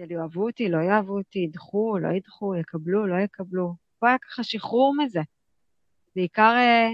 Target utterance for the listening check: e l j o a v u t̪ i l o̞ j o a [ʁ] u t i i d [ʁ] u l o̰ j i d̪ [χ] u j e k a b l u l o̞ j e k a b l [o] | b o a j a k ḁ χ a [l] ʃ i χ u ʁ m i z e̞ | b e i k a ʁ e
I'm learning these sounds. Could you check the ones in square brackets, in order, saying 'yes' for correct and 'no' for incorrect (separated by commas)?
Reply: no, no, yes, no, no